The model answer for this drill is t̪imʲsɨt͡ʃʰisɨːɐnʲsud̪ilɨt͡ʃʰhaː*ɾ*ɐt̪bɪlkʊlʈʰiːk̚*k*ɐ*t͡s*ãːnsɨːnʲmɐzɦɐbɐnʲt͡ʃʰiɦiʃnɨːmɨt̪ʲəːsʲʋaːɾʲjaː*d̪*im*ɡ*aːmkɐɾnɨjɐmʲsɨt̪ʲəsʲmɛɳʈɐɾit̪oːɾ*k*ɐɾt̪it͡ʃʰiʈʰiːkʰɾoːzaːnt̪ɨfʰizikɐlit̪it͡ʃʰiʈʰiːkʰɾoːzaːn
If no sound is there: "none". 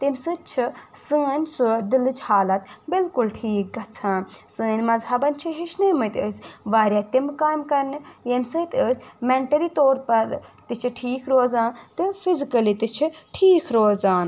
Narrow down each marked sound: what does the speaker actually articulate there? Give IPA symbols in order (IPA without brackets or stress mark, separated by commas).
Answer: l, ɡ, t͡sʰ, t̪, k, p